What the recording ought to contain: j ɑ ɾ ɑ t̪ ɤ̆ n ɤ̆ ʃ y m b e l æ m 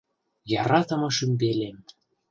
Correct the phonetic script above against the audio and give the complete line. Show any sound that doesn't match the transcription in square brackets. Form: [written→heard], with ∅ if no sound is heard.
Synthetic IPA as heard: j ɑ ɾ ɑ t̪ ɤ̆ [n→m] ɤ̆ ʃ y m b e l [æ→e] m